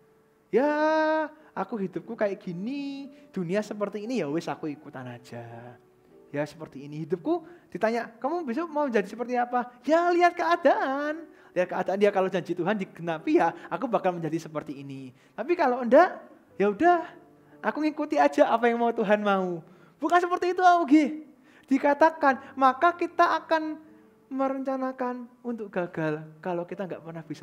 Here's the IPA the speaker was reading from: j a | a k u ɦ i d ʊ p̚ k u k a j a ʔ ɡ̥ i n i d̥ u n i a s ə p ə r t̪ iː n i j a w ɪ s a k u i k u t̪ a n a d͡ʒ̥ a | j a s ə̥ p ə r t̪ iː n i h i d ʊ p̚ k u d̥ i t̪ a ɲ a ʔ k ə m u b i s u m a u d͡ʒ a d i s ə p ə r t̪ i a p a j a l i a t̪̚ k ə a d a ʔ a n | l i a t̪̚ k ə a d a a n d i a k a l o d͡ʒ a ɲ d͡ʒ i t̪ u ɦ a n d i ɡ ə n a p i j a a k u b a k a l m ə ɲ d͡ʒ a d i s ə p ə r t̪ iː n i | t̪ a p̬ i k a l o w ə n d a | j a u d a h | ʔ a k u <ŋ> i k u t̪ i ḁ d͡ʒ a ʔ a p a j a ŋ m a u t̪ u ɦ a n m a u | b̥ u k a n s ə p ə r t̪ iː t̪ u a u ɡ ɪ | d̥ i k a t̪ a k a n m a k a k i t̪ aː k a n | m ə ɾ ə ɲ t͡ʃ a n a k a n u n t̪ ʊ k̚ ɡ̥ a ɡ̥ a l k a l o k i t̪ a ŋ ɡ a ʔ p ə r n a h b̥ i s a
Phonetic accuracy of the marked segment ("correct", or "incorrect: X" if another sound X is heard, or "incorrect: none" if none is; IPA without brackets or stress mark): correct